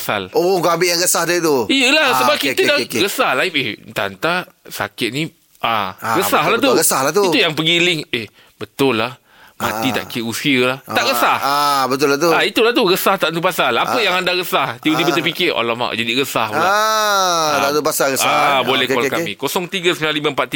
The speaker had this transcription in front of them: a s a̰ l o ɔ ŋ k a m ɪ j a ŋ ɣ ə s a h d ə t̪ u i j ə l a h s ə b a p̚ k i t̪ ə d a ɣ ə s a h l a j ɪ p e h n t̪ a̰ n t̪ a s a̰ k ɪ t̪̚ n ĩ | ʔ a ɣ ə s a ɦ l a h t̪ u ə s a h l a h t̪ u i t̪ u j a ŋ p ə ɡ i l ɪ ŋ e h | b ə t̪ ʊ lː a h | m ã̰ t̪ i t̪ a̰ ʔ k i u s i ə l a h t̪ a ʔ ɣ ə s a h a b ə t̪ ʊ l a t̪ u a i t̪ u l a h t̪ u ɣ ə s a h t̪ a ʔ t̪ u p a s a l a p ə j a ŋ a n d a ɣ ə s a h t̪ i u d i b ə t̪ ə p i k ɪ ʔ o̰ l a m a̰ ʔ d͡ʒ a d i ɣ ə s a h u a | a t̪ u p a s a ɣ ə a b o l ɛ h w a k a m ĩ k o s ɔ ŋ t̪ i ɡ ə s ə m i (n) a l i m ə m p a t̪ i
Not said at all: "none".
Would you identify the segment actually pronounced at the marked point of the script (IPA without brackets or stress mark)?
n